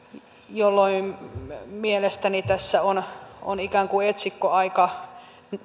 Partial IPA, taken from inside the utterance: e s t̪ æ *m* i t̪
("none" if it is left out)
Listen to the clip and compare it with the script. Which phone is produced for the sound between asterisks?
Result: n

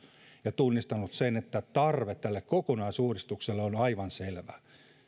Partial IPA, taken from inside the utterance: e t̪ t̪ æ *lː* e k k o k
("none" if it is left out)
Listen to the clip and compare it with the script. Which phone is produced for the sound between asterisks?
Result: lː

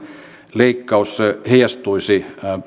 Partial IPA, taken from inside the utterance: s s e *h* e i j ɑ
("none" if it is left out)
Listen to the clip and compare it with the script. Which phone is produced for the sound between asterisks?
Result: h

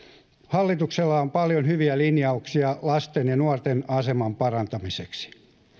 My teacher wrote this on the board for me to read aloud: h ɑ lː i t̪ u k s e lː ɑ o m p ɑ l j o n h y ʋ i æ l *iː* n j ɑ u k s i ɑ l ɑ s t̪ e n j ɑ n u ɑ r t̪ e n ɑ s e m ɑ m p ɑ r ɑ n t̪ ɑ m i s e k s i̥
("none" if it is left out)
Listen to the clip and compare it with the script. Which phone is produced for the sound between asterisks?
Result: i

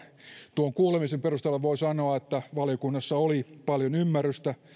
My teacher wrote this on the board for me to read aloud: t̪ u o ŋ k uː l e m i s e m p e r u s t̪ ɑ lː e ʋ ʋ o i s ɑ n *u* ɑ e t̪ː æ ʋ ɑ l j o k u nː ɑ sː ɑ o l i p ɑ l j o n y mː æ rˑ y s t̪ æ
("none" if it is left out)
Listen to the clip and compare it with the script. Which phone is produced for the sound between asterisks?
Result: o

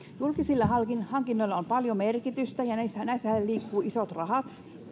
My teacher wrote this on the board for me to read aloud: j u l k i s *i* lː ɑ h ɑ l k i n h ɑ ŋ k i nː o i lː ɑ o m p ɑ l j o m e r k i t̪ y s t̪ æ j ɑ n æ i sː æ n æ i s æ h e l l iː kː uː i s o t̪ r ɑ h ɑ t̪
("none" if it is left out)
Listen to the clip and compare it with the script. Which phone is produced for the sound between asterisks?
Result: i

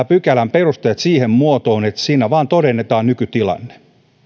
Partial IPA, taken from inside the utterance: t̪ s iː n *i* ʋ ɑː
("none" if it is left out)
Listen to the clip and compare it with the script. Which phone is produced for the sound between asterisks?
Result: æ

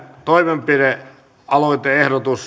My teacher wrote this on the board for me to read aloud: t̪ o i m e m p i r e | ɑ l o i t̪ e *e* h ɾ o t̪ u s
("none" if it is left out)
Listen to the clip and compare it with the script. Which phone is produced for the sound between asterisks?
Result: e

